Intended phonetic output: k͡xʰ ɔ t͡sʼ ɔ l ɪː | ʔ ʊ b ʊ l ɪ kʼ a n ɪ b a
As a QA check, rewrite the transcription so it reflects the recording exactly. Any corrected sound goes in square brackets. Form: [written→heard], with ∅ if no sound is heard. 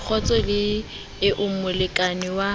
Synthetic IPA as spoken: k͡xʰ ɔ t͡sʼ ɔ l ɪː | ʔ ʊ [b→m] ʊ l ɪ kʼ a n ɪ [b→w] a